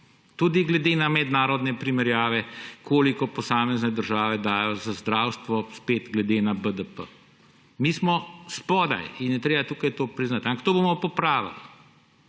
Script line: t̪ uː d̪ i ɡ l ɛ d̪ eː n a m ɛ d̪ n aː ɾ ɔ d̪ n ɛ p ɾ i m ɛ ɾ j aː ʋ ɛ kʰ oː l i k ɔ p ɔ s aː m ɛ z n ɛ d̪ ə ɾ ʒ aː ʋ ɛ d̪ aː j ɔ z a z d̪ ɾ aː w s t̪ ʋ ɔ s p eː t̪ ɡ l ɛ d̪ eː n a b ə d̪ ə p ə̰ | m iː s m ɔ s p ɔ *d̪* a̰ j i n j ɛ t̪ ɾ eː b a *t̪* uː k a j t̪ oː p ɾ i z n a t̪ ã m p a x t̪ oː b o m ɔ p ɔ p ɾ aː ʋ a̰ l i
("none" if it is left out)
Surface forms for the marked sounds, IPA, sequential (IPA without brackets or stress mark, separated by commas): d̪, t̪